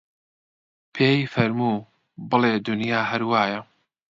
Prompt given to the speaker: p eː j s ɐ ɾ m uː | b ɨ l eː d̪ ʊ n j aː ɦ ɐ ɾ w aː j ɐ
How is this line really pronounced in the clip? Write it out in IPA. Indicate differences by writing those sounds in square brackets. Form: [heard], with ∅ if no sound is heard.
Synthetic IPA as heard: [pʰ] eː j [f] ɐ ɾ m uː | b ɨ l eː d̪ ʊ n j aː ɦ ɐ ɾ w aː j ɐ